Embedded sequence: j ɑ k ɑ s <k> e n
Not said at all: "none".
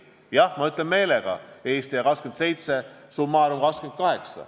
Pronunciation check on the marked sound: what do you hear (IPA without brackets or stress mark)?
k